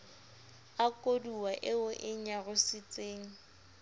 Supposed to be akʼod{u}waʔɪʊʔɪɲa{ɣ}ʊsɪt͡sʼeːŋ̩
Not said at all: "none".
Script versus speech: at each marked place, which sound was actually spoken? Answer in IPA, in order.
u, ɣ

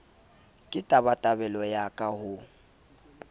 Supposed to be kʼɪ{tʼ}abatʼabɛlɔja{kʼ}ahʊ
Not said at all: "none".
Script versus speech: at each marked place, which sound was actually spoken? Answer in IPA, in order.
tʼ, kʼ

